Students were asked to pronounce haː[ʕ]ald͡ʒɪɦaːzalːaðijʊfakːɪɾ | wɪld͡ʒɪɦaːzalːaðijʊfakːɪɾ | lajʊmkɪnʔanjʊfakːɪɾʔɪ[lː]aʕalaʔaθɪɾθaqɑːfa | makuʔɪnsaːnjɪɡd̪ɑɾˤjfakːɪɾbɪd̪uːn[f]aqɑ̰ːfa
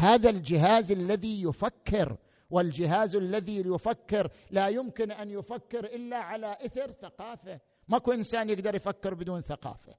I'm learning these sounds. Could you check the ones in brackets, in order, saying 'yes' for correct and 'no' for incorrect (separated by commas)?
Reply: no, yes, no